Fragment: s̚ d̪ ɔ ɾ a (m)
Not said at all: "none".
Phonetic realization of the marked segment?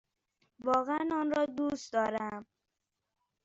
m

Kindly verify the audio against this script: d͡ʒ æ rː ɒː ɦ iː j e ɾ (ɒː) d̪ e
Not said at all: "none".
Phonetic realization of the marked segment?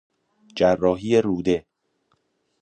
uː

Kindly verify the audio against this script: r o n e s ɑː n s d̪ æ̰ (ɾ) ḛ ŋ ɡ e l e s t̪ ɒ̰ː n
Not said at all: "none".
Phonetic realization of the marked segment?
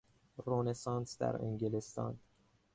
ɾ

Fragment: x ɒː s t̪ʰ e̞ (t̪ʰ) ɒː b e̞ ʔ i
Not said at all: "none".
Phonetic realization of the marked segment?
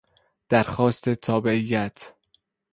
t̪ʰ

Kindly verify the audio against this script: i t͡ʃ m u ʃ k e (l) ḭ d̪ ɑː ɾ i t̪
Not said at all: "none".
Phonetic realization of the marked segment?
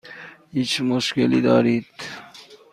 l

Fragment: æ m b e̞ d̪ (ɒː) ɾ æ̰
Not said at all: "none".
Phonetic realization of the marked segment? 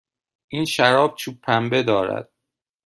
ɒː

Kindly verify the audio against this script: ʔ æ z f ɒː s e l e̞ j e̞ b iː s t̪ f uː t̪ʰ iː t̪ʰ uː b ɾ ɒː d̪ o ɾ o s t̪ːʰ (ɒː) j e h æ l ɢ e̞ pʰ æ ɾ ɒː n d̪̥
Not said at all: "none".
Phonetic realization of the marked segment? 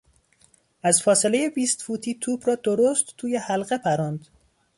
uː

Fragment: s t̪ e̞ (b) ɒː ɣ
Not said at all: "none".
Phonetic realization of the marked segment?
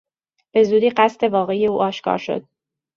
v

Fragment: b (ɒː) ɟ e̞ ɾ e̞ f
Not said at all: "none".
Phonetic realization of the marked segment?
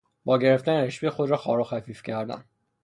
ɒː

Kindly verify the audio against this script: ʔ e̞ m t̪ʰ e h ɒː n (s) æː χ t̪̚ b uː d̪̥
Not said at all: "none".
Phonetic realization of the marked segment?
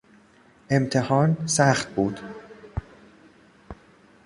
s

